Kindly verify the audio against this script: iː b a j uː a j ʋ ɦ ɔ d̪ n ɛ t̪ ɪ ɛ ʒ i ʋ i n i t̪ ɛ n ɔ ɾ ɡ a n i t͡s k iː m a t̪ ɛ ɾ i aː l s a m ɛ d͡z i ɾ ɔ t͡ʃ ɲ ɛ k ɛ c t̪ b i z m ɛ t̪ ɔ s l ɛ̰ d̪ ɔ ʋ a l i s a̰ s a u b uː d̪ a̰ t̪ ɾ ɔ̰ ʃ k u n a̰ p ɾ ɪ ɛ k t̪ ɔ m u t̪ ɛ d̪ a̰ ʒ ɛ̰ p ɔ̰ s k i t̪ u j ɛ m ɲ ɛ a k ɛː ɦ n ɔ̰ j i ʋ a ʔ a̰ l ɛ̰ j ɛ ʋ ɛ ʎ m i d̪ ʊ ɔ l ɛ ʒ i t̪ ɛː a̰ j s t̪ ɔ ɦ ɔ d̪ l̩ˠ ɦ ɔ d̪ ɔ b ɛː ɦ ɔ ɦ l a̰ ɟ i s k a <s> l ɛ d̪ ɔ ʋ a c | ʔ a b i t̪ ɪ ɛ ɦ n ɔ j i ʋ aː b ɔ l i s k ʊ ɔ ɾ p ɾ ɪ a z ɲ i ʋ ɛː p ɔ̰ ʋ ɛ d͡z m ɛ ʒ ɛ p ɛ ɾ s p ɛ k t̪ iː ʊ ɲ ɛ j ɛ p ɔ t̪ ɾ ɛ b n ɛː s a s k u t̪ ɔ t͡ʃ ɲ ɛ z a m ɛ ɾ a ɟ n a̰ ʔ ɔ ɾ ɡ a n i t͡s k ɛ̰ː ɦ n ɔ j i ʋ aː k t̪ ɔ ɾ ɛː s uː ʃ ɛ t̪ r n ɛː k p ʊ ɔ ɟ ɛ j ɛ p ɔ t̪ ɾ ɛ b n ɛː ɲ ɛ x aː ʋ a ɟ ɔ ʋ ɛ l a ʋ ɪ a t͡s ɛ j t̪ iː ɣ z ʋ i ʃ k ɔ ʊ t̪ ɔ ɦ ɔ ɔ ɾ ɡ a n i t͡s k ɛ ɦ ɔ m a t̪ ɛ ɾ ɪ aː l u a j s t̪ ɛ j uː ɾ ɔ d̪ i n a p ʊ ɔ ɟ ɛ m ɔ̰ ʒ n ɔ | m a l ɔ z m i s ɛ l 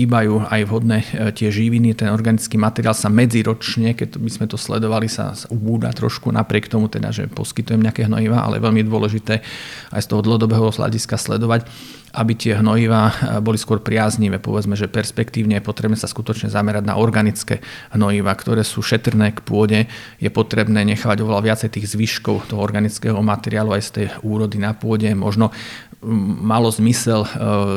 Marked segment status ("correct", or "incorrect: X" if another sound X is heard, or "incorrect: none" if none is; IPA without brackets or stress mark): correct